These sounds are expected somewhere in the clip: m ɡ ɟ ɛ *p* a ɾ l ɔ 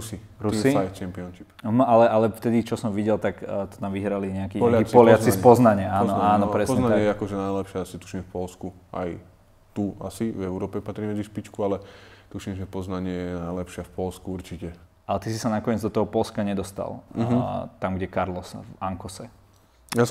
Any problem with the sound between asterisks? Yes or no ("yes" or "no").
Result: yes